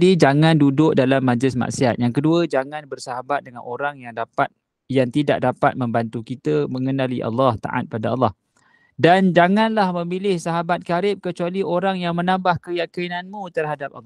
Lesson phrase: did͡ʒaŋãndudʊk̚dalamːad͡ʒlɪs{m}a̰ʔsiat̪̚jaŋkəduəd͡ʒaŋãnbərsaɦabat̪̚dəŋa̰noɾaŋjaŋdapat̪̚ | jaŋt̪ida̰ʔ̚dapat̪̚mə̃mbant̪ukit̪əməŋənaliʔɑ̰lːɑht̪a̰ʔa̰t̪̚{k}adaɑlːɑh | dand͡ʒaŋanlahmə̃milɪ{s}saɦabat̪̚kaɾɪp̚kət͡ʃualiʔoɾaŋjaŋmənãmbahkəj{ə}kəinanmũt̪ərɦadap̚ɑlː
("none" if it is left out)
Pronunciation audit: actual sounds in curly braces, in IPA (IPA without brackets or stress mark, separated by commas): m, p, h, a